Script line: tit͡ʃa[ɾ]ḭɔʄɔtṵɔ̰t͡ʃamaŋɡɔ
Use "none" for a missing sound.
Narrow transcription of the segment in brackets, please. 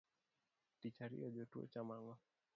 ɾ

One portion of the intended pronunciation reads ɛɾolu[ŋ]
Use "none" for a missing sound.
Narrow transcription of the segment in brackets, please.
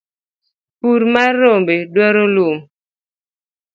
m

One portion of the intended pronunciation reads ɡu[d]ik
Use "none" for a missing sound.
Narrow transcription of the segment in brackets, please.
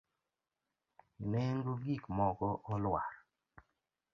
ɡ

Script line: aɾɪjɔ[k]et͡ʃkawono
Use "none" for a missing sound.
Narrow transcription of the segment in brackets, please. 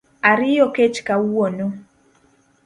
k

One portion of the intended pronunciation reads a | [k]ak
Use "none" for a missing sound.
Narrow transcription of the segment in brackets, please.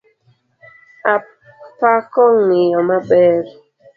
p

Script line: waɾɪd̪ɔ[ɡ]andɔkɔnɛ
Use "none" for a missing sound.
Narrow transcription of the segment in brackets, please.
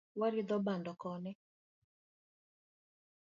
b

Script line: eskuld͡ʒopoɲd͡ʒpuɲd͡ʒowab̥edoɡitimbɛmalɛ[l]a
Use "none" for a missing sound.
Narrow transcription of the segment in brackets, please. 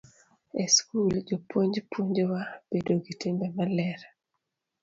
ɾ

